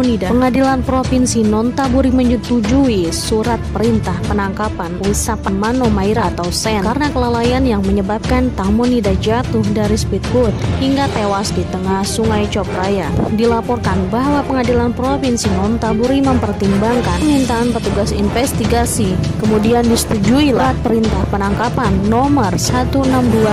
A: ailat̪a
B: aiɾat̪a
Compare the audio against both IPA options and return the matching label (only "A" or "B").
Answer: B